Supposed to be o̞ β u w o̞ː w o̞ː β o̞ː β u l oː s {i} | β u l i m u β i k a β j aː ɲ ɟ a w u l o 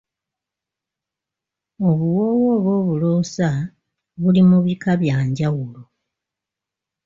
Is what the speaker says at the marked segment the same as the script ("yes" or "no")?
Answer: no